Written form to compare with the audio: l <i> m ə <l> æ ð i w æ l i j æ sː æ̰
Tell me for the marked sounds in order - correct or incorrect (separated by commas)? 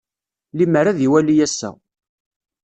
correct, incorrect